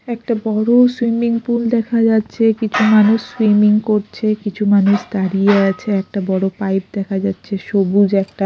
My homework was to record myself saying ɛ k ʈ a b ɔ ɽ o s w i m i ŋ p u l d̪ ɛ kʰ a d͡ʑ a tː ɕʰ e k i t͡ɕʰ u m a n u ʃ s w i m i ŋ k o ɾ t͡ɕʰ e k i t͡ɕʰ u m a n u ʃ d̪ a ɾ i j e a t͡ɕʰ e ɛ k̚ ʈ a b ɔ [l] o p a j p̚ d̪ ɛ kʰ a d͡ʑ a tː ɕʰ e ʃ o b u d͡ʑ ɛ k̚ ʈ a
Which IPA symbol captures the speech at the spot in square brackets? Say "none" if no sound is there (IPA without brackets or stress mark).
ɽ